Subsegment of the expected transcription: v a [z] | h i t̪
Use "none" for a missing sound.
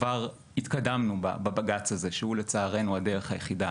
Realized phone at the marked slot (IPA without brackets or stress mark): ʁ